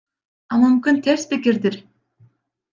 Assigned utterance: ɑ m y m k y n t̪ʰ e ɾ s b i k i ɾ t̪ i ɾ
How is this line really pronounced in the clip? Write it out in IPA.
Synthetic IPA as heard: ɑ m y m k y n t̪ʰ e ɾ s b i k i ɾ d̪ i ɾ